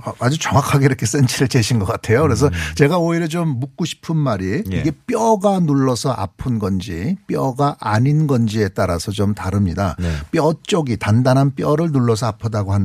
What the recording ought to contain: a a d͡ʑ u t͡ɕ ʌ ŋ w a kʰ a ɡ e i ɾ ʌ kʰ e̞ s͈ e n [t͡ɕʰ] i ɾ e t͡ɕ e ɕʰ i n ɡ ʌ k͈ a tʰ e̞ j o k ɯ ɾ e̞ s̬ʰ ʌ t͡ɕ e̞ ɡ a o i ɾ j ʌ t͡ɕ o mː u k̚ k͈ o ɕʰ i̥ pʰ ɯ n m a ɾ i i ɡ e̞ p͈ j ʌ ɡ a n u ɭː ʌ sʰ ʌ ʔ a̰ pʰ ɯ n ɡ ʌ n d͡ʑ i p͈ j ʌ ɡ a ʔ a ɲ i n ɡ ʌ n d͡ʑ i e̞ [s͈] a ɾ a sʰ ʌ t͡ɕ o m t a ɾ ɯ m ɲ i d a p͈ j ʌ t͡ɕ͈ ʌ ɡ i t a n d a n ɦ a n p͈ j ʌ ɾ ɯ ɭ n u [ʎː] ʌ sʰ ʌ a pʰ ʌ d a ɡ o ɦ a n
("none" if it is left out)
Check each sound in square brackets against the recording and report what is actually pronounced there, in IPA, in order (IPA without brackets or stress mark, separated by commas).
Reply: t͡ɕʰ, t͈, ɭː